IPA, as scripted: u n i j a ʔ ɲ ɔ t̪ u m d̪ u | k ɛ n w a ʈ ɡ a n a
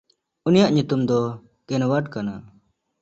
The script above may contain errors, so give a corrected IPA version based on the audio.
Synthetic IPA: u n i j a ʔ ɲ u t̪ u m d̪ ɔ | k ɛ n w a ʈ k a n a